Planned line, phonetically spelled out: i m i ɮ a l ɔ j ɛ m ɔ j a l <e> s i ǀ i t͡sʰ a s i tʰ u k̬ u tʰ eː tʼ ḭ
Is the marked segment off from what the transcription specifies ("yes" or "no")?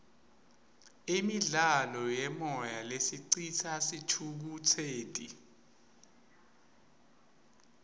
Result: no